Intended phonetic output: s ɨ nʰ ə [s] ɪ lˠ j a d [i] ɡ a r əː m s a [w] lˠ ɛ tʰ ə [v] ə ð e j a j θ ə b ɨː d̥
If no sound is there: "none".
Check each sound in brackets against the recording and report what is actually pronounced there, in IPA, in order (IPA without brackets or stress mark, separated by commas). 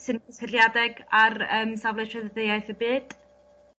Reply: s, ɛ, v, ð